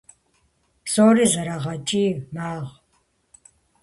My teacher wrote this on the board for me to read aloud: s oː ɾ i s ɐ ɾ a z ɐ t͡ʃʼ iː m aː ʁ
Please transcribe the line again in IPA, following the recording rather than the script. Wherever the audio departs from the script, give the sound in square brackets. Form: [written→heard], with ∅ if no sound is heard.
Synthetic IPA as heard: s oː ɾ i [s→z] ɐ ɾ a [z→ʁ] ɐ t͡ʃʼ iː m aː ʁ